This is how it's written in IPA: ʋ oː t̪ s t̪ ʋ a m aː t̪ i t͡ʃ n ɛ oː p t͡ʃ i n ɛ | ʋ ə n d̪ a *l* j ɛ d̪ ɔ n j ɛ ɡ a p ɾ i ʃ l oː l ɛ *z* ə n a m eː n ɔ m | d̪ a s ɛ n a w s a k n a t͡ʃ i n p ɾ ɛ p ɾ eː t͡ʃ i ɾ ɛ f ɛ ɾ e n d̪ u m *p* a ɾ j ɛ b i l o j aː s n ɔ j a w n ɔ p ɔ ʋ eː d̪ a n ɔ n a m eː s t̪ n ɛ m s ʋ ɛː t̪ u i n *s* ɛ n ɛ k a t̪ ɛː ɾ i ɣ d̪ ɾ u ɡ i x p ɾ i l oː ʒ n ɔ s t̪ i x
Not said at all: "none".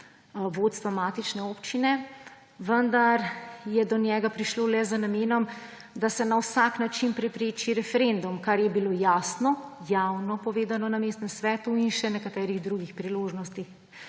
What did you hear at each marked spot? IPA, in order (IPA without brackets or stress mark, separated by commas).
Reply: ɾ, z, k, ʃ